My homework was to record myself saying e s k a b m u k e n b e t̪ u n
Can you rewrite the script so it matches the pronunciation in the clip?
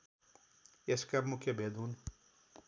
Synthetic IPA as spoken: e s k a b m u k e b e d̪ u n